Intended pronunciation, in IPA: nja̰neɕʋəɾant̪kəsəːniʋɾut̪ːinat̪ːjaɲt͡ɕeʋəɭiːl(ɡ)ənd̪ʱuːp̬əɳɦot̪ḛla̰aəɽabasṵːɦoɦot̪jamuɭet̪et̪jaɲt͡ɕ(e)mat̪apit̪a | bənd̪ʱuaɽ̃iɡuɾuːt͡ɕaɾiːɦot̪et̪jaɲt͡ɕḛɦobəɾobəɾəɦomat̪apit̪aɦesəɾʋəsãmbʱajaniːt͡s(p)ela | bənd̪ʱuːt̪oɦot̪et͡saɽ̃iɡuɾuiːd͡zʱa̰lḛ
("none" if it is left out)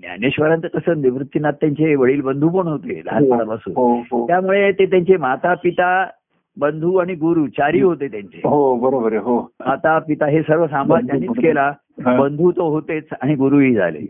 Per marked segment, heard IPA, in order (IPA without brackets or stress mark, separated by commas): b, e, k